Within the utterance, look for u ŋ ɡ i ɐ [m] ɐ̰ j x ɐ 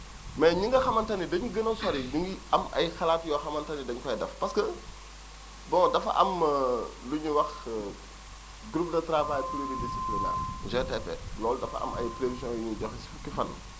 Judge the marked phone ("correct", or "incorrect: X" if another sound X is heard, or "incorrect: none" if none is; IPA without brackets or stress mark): correct